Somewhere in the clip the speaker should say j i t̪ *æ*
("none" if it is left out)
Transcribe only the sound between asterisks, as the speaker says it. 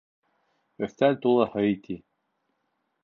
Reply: i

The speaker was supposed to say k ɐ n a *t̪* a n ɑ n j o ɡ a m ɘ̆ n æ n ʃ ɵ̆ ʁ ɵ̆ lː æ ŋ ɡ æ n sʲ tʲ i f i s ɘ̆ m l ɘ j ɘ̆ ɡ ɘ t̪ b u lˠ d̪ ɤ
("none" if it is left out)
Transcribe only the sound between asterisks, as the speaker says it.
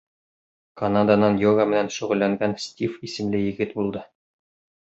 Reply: d̪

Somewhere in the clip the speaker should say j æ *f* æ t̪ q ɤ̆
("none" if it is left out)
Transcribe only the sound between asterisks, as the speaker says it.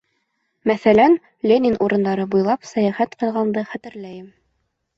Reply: χ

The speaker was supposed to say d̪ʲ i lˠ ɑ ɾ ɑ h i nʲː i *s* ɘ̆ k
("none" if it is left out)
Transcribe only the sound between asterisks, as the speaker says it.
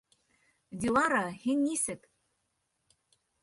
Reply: s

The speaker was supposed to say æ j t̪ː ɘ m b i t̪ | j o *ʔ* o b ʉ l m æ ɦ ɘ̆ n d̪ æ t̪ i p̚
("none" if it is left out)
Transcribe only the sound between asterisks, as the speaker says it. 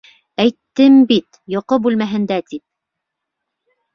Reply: q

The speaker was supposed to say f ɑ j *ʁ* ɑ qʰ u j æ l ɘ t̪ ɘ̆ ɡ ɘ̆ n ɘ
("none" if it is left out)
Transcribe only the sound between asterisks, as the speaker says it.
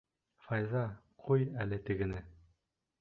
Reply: z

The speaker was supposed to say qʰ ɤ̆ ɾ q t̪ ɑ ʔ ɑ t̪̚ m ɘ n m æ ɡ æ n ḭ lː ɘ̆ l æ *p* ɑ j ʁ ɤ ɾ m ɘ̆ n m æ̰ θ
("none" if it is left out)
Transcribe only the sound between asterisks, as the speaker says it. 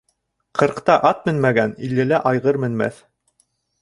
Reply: ʔ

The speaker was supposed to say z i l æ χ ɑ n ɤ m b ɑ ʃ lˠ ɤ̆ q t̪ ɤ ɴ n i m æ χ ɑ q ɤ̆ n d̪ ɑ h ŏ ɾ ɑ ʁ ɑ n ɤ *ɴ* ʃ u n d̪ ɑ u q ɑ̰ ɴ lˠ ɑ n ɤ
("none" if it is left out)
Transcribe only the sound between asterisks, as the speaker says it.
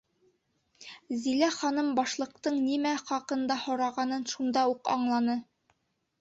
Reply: n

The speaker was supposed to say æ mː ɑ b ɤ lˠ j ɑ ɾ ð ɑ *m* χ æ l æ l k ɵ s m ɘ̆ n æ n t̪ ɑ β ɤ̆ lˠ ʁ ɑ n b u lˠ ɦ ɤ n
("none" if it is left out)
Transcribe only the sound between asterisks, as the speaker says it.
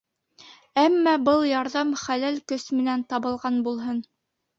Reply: m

